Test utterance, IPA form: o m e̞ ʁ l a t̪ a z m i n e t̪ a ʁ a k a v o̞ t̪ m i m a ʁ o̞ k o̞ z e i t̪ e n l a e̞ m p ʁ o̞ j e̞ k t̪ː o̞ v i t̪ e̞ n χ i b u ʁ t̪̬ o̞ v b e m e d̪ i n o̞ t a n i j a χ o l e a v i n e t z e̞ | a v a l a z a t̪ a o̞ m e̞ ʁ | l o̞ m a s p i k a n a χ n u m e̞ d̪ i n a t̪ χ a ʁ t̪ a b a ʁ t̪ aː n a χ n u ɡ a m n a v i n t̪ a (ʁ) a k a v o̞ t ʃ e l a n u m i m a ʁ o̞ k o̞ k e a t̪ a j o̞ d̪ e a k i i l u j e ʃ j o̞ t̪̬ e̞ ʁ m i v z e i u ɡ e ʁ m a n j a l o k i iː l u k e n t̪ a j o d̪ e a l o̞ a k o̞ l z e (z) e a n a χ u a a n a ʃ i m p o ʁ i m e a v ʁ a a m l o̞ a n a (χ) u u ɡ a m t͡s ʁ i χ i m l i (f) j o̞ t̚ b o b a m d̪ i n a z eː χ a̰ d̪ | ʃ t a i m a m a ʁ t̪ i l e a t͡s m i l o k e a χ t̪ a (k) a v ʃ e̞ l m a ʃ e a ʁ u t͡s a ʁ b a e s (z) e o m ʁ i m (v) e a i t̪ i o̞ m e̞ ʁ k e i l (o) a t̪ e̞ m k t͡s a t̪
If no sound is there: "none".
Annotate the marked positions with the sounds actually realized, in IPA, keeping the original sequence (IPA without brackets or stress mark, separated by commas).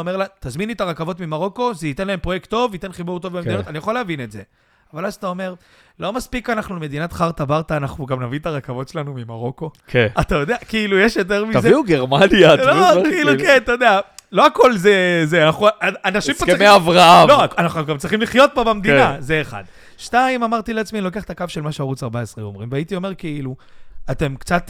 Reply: ʁ, z, χ, χ, k, ʁ, v, u